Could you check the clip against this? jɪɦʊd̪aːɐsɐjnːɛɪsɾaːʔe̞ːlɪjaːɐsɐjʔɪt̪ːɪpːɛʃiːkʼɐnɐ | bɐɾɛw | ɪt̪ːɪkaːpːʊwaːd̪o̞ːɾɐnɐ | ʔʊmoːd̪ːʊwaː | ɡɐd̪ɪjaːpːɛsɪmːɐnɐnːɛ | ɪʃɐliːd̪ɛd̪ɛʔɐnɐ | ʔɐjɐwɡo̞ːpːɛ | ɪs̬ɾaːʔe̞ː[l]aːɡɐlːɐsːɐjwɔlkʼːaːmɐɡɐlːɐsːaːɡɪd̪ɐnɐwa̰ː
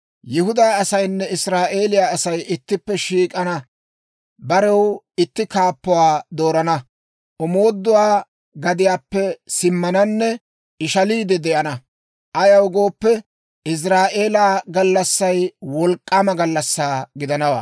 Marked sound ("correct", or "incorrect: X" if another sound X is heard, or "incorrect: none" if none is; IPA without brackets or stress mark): correct